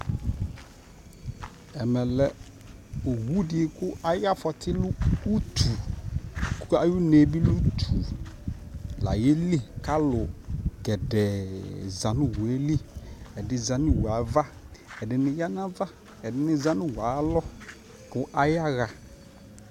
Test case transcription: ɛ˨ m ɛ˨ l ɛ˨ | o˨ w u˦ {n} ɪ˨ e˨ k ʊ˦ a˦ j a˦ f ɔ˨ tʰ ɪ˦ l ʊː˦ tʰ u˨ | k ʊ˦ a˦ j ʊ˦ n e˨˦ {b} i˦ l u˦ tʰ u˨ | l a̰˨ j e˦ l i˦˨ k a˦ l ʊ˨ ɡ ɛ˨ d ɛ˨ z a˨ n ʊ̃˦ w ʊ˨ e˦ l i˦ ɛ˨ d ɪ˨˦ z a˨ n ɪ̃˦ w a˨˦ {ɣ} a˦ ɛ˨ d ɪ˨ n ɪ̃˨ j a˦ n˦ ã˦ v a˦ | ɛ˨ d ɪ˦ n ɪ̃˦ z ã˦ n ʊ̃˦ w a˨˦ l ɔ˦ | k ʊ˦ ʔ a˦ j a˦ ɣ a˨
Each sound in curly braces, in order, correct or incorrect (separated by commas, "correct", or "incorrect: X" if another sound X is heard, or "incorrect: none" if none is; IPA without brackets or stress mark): incorrect: d, correct, incorrect: v